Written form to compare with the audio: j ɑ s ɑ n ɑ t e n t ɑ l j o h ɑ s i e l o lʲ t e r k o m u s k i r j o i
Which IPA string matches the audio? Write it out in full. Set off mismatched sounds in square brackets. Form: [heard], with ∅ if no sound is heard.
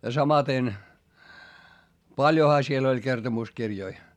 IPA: j ɑ s ɑ [m] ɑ t e n [p] ɑ l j o h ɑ s i e l o lʲ [k] e r [t] o m u s k i r j o i